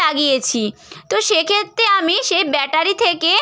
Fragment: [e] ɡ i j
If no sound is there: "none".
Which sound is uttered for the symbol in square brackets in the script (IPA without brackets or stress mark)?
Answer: a